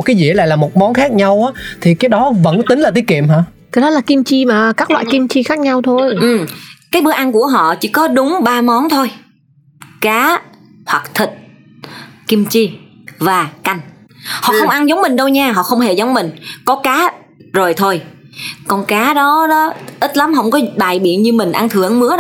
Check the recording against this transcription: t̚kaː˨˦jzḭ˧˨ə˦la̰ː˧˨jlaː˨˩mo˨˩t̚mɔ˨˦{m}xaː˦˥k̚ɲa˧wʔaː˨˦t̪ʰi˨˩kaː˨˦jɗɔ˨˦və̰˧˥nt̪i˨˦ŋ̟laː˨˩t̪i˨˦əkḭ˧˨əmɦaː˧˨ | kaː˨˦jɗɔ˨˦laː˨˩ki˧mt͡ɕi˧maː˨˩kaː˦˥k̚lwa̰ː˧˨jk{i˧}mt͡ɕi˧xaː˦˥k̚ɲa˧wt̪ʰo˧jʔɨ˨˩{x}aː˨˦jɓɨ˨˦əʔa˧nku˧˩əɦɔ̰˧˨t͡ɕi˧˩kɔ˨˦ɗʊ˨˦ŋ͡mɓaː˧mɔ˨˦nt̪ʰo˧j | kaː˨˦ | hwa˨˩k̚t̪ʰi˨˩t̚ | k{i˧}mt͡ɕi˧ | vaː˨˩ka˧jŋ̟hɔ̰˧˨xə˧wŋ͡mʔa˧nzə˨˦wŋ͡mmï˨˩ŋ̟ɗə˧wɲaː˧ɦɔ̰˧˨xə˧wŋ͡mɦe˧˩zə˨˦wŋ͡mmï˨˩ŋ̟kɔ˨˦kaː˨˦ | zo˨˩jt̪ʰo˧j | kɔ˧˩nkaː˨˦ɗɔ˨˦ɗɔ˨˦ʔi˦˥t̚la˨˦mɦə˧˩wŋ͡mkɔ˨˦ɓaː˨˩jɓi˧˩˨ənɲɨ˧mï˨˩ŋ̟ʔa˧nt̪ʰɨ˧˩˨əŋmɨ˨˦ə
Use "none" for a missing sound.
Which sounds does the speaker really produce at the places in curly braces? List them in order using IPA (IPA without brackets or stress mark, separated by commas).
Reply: n, i˧, k, i˧